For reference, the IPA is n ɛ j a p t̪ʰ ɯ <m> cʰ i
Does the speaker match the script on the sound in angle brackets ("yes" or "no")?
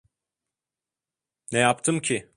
yes